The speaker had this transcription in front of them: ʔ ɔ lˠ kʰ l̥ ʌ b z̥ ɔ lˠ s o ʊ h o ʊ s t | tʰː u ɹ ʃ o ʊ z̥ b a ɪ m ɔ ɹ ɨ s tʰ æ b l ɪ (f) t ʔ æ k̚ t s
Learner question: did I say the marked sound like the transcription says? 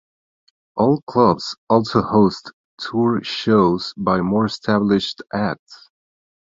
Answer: no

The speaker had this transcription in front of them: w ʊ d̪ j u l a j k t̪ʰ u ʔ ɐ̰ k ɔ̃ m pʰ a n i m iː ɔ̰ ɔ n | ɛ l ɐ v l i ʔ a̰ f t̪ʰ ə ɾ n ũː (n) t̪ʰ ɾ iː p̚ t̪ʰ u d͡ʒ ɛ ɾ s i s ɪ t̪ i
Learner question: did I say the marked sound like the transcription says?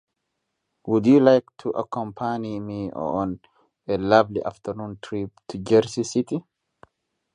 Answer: yes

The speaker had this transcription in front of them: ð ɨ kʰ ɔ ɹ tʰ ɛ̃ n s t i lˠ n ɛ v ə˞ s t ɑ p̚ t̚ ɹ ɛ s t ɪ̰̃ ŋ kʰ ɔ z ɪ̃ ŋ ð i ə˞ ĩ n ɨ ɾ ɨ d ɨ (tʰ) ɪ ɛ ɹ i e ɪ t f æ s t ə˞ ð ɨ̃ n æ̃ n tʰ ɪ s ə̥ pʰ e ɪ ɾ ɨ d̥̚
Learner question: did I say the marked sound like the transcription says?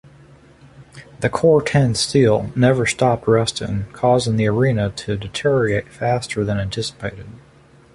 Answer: yes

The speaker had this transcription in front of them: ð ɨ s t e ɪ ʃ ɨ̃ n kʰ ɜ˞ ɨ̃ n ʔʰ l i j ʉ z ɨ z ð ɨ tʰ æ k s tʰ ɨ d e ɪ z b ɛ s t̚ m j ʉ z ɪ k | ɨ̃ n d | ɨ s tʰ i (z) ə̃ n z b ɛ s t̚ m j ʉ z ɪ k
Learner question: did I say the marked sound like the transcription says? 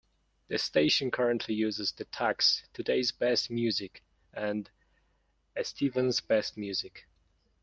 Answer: no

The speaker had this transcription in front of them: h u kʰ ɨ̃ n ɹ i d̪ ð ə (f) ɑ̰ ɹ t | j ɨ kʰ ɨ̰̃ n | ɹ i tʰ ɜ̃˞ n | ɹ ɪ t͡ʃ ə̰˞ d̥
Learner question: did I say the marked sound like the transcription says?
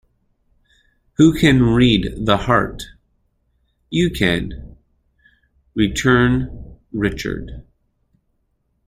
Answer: no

